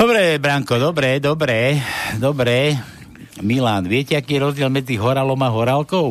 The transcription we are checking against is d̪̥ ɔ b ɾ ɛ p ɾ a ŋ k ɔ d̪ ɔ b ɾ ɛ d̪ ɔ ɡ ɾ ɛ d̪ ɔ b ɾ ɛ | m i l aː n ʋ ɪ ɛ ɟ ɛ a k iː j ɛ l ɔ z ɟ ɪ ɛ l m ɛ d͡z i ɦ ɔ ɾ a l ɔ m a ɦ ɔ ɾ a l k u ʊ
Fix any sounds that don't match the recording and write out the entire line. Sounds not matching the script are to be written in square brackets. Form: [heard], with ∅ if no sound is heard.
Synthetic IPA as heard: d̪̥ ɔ b ɾ ɛ [b] ɾ a ŋ k ɔ d̪ ɔ b ɾ ɛ d̪ ɔ [b] ɾ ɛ d̪ ɔ b ɾ ɛ | m i l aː n ʋ ɪ ɛ [c] ɛ a k iː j ɛ [ɾ] ɔ z ɟ ɪ ɛ l m ɛ d͡z i ɦ ɔ ɾ a l ɔ m a ɦ ɔ ɾ a l k [ɔ] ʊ